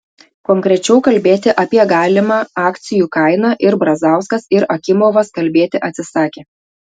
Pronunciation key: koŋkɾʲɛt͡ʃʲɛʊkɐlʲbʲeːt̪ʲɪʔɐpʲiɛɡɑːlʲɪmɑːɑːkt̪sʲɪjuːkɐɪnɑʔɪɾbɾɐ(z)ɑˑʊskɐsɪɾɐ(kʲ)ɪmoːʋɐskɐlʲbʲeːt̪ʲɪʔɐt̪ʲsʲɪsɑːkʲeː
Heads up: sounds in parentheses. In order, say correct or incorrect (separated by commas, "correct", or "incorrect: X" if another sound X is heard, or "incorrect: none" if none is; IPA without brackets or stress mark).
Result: correct, correct